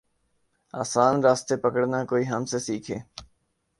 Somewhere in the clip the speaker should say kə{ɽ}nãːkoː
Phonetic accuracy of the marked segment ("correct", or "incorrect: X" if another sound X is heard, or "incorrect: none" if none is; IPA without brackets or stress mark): correct